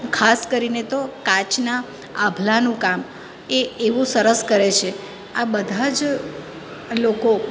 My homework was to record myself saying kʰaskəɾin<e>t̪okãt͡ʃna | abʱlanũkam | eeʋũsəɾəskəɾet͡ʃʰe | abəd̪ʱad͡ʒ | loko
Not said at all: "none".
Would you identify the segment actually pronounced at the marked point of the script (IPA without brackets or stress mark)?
e